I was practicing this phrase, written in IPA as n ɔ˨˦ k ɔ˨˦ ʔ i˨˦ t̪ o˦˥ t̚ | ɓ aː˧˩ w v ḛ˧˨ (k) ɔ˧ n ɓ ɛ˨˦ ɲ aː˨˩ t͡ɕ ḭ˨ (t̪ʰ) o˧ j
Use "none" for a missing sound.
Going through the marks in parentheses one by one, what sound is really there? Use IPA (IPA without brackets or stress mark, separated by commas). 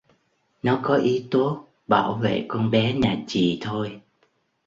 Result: k, t̪ʰ